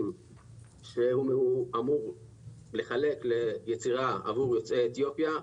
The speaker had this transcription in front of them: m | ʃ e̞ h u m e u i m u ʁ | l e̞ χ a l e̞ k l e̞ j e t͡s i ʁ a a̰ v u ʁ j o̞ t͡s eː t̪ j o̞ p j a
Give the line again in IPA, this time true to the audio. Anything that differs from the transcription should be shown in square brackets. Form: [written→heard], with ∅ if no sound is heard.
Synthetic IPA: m | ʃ e̞ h u m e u [i→a] m u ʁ | l e̞ χ a l e̞ k l e̞ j e t͡s i ʁ a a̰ v u ʁ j o̞ t͡s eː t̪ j o̞ p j a